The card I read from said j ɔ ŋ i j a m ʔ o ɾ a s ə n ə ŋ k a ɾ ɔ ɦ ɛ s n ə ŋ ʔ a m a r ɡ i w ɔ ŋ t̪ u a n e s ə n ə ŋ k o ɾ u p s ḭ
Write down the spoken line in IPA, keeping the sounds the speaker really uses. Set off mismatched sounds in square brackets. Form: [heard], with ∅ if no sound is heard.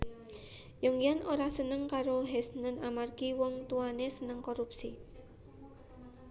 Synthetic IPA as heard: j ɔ ŋ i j a [n] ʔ o ɾ a s ə n ə ŋ k a ɾ [o] ɦ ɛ s n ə [n] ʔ a m a r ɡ i w ɔ ŋ t̪ u a n e s ə n ə ŋ k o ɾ u p s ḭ